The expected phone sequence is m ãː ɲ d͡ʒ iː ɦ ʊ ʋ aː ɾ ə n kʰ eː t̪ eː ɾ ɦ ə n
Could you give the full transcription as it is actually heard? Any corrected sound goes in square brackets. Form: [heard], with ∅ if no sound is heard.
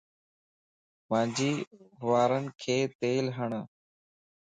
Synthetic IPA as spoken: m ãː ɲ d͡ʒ iː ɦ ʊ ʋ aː ɾ ə n kʰ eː t̪ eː [l] ɦ ə [ɳ]